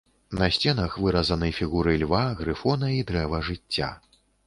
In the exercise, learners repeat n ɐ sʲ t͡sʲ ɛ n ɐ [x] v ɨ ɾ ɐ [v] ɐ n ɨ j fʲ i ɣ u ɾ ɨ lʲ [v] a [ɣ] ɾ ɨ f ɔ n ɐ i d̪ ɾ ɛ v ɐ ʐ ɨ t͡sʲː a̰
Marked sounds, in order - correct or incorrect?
correct, incorrect: z, correct, correct

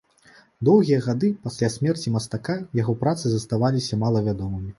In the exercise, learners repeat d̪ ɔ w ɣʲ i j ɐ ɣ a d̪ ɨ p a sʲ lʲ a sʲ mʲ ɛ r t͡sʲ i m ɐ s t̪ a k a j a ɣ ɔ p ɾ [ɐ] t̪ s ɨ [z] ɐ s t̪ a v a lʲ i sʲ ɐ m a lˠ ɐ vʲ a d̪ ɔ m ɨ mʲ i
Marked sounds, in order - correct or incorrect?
incorrect: a, correct

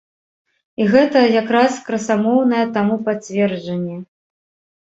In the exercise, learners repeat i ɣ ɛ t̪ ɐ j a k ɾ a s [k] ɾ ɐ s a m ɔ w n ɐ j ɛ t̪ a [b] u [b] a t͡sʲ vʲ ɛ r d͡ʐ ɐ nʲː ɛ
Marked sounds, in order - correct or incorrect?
correct, incorrect: m, incorrect: p

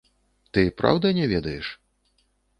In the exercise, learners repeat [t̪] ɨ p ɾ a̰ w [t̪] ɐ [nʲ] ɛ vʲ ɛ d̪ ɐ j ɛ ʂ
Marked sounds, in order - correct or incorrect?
correct, incorrect: d̪, correct

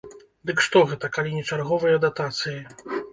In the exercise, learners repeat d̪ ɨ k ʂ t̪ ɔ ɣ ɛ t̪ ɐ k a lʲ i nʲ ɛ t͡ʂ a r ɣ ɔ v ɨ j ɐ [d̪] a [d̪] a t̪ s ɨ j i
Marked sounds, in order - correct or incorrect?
correct, incorrect: t̪

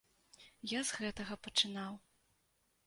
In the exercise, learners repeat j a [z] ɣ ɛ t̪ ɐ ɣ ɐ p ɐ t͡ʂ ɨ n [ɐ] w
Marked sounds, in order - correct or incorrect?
correct, incorrect: a

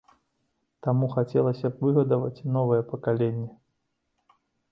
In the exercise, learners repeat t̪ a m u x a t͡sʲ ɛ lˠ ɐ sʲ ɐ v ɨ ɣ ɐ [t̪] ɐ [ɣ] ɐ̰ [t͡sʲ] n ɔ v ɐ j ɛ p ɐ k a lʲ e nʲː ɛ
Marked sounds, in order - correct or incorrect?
incorrect: d̪, incorrect: v, correct

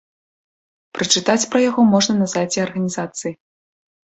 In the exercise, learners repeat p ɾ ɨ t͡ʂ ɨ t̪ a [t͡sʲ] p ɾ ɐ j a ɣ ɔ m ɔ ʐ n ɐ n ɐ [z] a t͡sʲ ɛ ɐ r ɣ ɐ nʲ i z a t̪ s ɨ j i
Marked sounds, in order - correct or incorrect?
correct, correct

